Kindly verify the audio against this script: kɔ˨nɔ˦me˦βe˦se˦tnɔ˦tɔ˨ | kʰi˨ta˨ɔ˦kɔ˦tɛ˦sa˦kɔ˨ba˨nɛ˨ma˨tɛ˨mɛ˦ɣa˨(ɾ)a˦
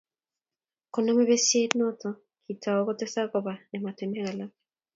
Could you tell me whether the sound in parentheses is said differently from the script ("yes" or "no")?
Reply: yes